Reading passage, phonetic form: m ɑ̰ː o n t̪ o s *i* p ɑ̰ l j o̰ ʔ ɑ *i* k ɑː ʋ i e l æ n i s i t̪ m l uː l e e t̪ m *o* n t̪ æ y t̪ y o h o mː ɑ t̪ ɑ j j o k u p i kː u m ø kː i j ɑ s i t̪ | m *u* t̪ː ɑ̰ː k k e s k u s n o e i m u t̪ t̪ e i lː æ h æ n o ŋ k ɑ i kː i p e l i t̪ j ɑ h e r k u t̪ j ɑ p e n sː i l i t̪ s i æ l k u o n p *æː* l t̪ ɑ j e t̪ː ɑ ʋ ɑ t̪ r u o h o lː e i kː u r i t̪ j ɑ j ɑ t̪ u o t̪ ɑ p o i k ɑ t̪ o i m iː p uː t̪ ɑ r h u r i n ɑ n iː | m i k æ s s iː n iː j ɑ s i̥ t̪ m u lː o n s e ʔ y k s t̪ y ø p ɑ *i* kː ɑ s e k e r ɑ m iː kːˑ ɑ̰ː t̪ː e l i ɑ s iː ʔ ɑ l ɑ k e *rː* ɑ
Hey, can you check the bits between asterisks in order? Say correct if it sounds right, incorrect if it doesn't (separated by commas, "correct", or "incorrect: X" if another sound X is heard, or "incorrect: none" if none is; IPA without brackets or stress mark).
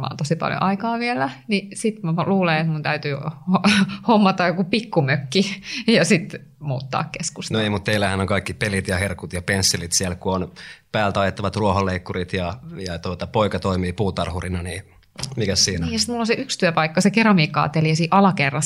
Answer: correct, correct, incorrect: u, incorrect: uː, correct, correct, correct